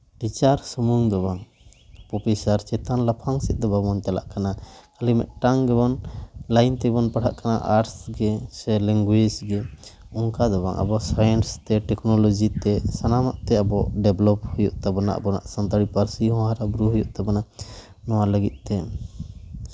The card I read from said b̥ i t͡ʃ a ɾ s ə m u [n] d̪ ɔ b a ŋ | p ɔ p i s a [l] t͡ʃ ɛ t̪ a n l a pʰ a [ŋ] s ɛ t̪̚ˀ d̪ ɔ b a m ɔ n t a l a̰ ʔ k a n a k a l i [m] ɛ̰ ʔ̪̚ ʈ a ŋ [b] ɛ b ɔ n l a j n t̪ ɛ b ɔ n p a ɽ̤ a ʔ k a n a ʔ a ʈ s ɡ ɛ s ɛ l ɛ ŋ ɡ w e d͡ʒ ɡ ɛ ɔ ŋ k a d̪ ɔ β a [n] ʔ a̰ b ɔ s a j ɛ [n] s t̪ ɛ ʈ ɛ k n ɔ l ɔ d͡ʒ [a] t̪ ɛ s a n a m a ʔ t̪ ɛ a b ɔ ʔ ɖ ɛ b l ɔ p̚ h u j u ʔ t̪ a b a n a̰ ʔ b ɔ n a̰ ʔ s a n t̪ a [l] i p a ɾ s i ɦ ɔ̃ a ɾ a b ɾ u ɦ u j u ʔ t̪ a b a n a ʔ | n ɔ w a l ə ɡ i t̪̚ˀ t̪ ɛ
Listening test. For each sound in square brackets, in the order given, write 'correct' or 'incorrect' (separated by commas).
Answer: incorrect, incorrect, correct, correct, incorrect, incorrect, correct, incorrect, incorrect